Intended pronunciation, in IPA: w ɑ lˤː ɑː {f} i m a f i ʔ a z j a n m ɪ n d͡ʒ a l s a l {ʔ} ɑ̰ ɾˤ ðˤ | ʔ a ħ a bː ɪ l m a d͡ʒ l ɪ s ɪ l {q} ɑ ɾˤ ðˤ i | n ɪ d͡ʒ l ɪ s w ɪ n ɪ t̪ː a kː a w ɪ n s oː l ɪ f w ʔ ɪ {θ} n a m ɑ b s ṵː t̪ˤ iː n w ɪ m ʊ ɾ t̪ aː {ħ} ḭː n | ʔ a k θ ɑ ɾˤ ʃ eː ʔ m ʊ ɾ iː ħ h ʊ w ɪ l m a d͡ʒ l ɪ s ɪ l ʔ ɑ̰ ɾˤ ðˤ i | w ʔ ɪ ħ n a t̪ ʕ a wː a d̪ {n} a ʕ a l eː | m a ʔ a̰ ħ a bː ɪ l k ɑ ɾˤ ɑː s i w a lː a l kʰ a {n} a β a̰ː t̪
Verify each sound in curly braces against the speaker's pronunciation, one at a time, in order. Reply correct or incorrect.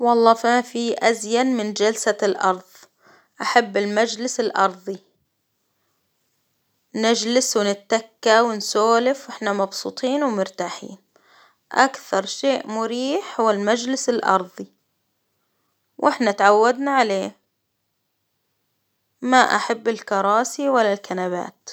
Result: correct, correct, incorrect: ʔ, incorrect: ħ, correct, correct, correct

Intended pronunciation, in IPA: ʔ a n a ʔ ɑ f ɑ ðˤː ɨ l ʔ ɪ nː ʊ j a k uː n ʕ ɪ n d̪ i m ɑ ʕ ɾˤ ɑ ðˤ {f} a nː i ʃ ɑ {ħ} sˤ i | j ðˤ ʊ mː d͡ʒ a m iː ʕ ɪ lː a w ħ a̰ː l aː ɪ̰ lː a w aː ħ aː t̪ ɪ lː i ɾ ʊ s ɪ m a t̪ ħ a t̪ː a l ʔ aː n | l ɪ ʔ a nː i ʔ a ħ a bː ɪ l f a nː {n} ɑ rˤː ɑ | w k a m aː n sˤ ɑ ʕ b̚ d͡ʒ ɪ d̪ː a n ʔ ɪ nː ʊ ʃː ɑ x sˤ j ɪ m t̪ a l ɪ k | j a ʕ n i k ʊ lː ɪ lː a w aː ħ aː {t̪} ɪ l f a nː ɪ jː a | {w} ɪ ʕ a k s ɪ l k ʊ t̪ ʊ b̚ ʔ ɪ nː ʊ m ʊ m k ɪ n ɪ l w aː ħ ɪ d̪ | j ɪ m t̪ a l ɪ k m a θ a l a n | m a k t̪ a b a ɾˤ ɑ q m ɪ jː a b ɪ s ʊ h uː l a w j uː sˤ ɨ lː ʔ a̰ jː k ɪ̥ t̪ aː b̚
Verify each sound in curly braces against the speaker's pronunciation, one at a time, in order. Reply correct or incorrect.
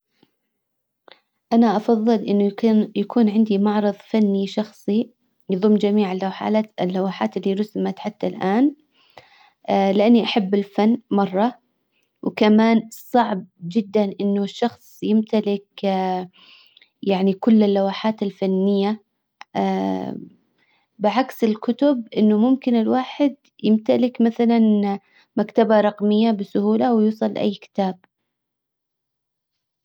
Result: correct, incorrect: x, incorrect: m, correct, incorrect: b

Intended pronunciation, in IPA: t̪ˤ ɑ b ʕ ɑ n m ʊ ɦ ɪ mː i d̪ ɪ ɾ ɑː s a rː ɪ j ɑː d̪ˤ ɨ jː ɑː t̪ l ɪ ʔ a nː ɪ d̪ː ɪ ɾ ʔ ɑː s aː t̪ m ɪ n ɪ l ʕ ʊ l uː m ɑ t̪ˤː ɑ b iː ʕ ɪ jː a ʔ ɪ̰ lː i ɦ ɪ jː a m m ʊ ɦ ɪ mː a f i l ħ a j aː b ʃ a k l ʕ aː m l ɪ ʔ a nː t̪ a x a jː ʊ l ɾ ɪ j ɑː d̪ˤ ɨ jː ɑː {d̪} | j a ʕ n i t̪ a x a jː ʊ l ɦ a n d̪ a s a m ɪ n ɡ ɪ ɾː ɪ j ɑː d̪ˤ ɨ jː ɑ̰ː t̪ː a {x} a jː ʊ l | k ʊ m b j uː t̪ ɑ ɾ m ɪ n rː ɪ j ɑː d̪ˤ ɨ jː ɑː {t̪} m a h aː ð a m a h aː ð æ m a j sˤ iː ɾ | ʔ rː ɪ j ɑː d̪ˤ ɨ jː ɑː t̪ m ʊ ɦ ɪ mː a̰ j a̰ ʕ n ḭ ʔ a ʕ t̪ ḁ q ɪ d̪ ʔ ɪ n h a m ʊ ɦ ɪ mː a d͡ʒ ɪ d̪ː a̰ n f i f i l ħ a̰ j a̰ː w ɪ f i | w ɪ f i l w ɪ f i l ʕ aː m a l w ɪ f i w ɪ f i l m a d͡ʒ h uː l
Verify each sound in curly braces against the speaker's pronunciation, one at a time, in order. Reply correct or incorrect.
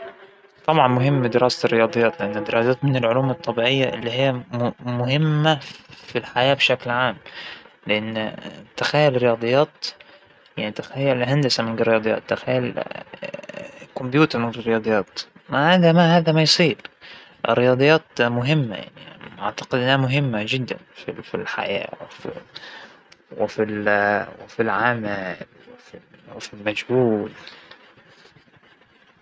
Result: incorrect: t̪, correct, correct

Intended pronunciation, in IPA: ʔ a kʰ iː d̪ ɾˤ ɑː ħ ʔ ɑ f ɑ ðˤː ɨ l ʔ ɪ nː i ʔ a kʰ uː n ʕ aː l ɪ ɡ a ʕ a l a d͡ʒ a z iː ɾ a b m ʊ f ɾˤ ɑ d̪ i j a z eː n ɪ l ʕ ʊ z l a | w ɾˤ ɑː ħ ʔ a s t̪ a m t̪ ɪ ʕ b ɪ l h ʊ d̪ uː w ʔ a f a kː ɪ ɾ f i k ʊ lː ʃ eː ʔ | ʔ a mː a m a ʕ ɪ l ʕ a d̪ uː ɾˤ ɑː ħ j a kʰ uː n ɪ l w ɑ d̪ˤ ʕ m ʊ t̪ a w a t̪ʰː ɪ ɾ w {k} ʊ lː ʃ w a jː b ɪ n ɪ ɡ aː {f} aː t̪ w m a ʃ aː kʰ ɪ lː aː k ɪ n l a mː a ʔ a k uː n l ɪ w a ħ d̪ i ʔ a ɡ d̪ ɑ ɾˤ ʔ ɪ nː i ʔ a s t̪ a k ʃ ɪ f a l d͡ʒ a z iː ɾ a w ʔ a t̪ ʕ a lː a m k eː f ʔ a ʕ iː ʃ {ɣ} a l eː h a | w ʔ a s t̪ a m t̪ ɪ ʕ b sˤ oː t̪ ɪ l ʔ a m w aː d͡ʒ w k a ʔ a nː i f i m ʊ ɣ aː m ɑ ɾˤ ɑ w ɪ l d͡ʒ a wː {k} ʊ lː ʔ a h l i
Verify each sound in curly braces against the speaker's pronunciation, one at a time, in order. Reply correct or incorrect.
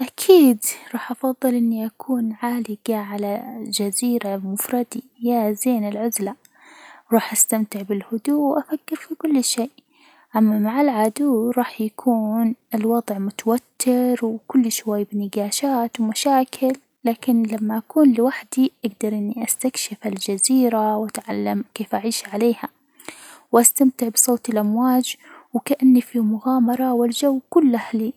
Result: correct, incorrect: ʃ, incorrect: ʕ, correct

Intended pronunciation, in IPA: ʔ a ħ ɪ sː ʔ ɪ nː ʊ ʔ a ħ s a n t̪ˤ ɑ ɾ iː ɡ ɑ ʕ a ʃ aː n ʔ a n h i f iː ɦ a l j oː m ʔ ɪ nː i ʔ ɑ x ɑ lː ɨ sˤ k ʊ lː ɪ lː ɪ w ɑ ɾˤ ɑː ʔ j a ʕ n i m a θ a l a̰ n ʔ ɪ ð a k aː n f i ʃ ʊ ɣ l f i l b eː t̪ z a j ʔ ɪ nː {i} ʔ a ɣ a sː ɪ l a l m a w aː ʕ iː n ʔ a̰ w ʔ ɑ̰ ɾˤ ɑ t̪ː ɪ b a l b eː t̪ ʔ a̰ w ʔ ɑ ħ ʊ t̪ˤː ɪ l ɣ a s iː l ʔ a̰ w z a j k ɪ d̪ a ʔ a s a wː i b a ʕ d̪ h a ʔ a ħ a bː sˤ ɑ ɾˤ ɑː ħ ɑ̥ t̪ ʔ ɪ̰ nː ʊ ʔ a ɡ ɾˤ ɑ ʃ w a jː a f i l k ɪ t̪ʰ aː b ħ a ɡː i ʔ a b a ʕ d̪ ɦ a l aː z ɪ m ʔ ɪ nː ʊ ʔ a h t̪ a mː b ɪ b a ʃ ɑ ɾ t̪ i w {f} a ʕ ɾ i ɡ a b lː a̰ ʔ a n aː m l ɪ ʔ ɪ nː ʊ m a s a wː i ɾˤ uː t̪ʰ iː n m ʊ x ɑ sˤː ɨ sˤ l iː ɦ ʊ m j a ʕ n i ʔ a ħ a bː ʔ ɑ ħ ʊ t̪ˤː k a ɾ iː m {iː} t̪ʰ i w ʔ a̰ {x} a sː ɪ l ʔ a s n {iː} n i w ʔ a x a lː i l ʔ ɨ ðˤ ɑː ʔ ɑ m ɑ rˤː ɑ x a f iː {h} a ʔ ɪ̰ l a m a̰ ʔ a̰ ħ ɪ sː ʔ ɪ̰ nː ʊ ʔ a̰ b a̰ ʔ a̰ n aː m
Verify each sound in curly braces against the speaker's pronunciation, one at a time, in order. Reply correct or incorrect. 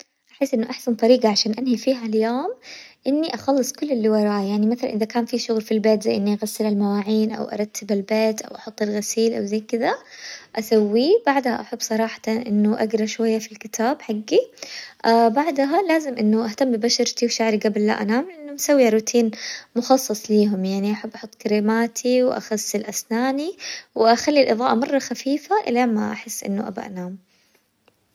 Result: correct, incorrect: ʃ, incorrect: aː, correct, incorrect: aː, incorrect: f

